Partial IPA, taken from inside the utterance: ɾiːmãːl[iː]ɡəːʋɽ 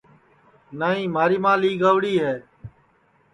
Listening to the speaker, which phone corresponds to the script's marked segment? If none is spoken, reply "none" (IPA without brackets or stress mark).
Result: iː